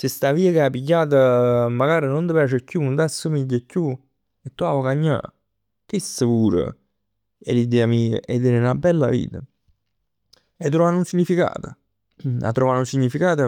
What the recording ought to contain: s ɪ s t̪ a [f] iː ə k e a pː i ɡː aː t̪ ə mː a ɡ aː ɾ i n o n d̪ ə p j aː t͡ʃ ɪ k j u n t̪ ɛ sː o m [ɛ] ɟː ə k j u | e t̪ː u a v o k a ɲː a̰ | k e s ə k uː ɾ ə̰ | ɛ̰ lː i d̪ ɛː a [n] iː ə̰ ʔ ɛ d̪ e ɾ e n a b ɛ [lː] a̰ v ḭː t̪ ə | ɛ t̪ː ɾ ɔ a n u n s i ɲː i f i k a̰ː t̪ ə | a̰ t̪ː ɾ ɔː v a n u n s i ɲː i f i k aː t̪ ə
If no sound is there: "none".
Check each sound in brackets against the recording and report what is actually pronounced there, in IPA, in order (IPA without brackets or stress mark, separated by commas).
v, i, m, lː